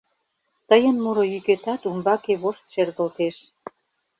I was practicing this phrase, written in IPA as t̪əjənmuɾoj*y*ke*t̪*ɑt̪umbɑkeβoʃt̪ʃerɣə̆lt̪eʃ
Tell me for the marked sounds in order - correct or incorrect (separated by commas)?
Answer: correct, correct